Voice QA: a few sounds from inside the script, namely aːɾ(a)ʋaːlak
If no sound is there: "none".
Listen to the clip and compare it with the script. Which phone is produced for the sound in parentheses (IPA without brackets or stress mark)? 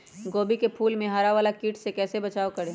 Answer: a